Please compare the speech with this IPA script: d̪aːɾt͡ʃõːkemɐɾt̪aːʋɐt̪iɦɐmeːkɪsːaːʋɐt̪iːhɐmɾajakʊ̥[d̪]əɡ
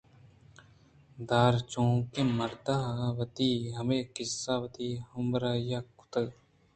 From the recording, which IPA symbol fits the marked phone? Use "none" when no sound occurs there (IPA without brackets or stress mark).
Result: t̪